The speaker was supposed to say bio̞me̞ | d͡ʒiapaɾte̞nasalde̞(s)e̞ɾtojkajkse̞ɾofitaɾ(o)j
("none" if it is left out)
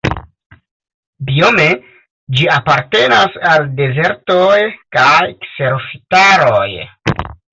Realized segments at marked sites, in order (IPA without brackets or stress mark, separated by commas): z, o